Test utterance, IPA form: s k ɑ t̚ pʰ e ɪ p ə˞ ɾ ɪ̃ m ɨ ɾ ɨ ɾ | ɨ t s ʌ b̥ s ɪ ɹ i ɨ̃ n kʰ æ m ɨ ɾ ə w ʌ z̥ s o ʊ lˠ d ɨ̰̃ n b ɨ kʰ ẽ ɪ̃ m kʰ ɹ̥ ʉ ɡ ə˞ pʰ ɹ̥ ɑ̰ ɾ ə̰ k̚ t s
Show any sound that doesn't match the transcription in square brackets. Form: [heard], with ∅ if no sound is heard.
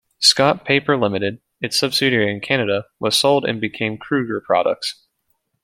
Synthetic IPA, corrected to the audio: s k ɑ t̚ pʰ e ɪ p ə˞ [l] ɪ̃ m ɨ ɾ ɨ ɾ | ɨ t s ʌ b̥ s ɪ [ɾ] i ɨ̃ n kʰ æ [n] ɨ ɾ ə w ʌ z̥ s o ʊ lˠ d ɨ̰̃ n b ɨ kʰ ẽ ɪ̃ m kʰ ɹ̥ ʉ ɡ ə˞ pʰ ɹ̥ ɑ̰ ɾ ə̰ k̚ t s